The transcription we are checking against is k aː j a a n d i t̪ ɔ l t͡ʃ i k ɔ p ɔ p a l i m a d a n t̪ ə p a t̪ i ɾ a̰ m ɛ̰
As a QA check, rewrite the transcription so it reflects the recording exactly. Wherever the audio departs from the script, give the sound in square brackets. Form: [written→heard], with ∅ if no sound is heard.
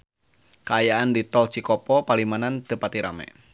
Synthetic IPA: k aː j a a n d i t̪ ɔ l t͡ʃ i k ɔ p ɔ p a l i m a [d→n] a n t̪ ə p a t̪ i ɾ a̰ m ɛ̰